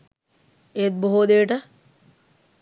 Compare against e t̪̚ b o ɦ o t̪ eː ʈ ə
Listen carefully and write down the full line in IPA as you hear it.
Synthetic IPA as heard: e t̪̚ b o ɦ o d̪ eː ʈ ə